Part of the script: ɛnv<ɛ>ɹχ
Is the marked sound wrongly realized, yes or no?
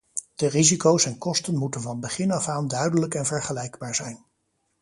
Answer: no